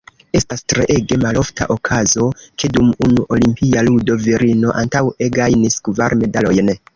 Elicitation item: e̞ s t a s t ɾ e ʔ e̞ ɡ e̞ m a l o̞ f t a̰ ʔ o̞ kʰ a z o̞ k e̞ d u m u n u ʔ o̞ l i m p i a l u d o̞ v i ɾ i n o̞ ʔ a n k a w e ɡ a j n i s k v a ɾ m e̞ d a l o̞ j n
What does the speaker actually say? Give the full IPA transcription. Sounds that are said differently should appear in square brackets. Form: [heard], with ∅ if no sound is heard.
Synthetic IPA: e̞ s t a s t ɾ e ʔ e̞ ɡ e̞ m a l o̞ f t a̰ ʔ o̞ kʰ a z o̞ k e̞ d u m u n u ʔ o̞ l i m p i a l u d o̞ v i ɾ i n o̞ ʔ a n [t] a w e ɡ a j n i s k v a ɾ m e̞ d a l o̞ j n